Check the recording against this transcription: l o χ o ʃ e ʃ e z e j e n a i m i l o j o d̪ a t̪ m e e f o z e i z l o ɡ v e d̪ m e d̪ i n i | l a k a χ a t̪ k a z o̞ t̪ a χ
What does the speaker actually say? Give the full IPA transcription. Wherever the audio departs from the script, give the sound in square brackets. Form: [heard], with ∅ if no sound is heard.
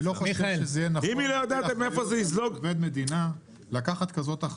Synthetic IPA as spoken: l o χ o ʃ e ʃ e z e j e n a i m i l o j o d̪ a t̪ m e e f o z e i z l o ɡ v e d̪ m e d̪ i n [a] | l a k a χ a t̪ k a z o̞ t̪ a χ